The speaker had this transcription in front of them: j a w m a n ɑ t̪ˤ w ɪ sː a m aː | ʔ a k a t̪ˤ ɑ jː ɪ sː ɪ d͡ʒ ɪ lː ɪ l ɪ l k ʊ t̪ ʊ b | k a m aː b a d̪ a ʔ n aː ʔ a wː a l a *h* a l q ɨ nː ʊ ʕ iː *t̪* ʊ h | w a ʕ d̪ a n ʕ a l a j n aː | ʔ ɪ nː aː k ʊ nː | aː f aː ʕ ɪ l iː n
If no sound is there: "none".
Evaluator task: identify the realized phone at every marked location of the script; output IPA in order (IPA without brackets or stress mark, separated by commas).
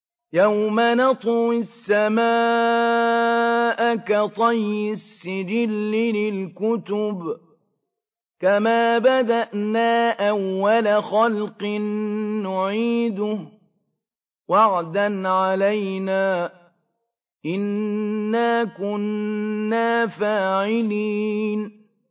x, d̪